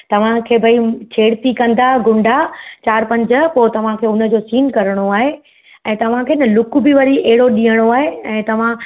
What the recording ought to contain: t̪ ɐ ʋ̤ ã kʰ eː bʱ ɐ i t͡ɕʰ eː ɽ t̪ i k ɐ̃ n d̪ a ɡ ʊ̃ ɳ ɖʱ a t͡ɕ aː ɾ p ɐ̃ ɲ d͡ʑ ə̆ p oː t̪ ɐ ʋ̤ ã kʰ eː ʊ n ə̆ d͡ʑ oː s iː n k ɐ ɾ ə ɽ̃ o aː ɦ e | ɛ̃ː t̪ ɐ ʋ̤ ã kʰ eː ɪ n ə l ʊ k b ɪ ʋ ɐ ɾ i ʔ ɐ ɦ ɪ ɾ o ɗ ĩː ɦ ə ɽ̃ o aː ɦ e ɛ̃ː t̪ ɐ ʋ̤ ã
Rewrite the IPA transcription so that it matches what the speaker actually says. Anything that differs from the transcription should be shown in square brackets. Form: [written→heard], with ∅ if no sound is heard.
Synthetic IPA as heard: t̪ ɐ ʋ̤ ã kʰ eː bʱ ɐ i t͡ɕʰ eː ɽ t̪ i k ɐ̃ n d̪ a ɡ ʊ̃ ɳ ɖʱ a t͡ɕ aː ɾ p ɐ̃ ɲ d͡ʑ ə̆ p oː t̪ ɐ ʋ̤ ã kʰ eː ʊ n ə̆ d͡ʑ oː s iː n k ɐ ɾ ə ɽ̃ o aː ɦ e | ɛ̃ː t̪ ɐ ʋ̤ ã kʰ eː ɪ n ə l ʊ k b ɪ ʋ ɐ ɾ i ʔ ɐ ɦ ɪ [ɾ→ɽ] o ɗ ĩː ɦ ə ɽ̃ o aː ɦ e ɛ̃ː t̪ ɐ ʋ̤ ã

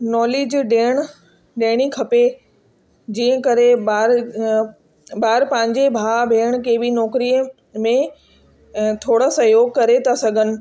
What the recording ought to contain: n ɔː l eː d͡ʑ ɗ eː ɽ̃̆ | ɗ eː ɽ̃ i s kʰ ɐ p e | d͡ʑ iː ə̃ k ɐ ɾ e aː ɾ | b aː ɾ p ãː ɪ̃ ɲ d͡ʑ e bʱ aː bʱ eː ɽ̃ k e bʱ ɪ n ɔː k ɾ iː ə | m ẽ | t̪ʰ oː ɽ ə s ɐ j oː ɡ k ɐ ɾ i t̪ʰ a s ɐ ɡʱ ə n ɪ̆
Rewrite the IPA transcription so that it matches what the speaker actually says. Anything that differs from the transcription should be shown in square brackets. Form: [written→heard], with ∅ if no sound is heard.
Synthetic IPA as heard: n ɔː l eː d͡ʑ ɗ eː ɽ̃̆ | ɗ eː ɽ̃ i [s→∅] kʰ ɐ p e | d͡ʑ iː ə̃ k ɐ ɾ e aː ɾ | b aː ɾ p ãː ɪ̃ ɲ d͡ʑ e bʱ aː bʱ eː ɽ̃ k e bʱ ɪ n ɔː k ɾ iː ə | m ẽ | t̪ʰ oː ɽ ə s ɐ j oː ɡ k ɐ ɾ [i→e] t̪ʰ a s ɐ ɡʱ ə n ɪ̆

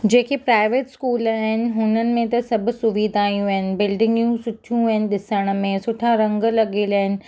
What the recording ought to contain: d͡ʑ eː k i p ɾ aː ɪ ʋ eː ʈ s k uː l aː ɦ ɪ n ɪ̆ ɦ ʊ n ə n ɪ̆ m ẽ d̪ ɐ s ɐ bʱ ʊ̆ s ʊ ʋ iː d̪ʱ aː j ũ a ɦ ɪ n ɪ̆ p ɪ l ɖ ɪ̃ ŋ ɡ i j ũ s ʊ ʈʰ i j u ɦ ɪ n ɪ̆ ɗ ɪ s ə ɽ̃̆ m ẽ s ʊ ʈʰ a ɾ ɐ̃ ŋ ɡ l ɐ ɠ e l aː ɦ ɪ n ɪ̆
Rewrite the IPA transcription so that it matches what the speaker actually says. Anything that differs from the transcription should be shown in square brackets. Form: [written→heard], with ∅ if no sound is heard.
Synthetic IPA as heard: d͡ʑ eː k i p ɾ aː ɪ ʋ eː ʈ s k uː l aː ɦ ɪ n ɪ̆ ɦ ʊ n ə n ɪ̆ m ẽ [d̪→t̪] ɐ s ɐ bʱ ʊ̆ s ʊ ʋ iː d̪ʱ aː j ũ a ɦ ɪ n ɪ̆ [p→b] ɪ l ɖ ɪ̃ ŋ ɡ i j ũ s ʊ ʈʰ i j [u→ũ] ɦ ɪ n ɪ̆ ɗ ɪ s ə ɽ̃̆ m ẽ s ʊ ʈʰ a ɾ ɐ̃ ŋ ɡ l ɐ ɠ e l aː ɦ ɪ n ɪ̆

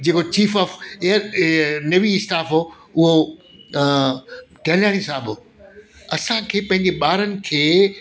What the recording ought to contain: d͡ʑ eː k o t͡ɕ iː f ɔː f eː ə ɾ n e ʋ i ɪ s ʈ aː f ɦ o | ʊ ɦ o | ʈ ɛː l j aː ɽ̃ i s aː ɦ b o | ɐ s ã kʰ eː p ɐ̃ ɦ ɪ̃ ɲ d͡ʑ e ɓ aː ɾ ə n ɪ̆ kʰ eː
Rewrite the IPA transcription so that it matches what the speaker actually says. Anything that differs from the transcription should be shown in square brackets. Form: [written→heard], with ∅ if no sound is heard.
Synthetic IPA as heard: d͡ʑ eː k o t͡ɕ iː f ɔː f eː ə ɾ n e ʋ i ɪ s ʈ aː f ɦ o | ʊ ɦ o | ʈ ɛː l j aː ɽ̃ i s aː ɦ b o | ɐ s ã kʰ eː p ɐ̃ ɦ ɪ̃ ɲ d͡ʑ e ɓ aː ɾ ə n ɪ̆ kʰ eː

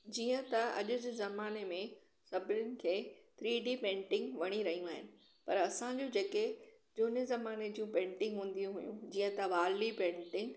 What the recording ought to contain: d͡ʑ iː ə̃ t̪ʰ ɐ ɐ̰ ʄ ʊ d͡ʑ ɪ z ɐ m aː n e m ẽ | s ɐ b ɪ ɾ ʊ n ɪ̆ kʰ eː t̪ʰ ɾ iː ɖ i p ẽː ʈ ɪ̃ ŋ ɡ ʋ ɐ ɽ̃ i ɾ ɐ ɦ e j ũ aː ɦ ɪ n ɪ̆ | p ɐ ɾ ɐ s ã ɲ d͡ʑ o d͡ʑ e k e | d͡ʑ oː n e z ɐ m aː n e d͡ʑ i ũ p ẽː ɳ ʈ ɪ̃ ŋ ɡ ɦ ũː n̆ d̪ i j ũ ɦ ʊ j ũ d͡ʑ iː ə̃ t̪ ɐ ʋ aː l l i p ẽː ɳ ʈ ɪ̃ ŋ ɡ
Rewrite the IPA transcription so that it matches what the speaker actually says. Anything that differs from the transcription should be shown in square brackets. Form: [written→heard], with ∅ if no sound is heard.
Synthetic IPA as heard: d͡ʑ iː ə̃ [t̪ʰ→t̪] ɐ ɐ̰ ʄ ʊ d͡ʑ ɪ z ɐ m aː n e m ẽ | s ɐ b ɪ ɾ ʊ n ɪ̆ kʰ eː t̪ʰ ɾ iː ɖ i p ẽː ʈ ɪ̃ ŋ ɡ ʋ ɐ ɽ̃ i ɾ ɐ ɦ [e→i] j ũ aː ɦ ɪ n ɪ̆ | p ɐ ɾ ɐ s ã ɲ d͡ʑ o d͡ʑ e k e | d͡ʑ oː n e z ɐ m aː n e d͡ʑ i ũ p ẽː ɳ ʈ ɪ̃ ŋ ɡ ɦ ũː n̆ d̪ i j ũ ɦ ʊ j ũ d͡ʑ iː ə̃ t̪ ɐ ʋ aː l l i p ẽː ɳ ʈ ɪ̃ ŋ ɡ

